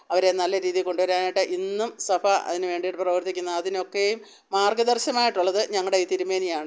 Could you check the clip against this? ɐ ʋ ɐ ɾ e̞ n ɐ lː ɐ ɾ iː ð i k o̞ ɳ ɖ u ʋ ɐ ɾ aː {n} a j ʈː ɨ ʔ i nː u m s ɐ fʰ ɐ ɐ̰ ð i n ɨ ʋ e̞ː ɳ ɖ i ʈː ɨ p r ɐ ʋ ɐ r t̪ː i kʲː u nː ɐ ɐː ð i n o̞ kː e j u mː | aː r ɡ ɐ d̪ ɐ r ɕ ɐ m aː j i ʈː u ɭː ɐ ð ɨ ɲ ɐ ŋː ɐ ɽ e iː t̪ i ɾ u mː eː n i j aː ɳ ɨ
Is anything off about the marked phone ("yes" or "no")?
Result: no